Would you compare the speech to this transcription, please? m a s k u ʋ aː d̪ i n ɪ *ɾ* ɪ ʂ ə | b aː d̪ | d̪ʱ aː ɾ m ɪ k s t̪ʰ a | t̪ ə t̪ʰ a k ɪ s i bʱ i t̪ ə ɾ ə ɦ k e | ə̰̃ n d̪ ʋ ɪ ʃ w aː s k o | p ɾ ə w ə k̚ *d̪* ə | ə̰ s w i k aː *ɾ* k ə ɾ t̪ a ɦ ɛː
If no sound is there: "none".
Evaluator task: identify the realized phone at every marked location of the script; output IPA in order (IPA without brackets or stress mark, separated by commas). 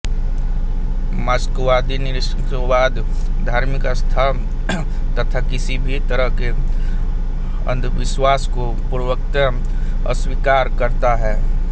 ɾ, t̪, ɾ